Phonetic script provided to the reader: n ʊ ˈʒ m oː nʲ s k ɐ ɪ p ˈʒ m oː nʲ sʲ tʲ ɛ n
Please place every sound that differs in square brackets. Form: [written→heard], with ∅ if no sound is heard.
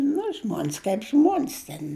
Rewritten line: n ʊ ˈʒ m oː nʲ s k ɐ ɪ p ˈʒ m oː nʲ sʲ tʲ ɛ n